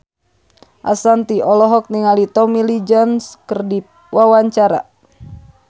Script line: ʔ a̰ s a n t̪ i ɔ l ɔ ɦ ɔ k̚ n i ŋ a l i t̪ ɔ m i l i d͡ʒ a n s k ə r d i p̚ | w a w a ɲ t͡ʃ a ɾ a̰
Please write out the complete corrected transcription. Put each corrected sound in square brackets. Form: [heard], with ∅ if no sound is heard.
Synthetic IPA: ʔ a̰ s a n t̪ i ɔ l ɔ ɦ ɔ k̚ n i ŋ a l i t̪ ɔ m i l i d͡ʒ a n s k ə r d i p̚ | w a w a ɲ t͡ʃ a ɾ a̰